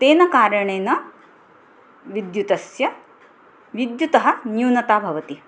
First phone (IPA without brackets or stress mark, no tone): t̪